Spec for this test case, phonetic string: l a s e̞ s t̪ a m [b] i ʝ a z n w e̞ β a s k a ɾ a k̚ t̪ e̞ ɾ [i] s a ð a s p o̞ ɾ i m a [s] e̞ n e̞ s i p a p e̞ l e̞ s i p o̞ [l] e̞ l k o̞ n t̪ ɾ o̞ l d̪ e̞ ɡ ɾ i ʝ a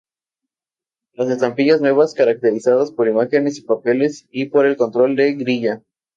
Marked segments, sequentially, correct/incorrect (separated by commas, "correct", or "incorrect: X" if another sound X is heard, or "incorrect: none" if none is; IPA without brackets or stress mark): incorrect: p, correct, incorrect: x, incorrect: ɾ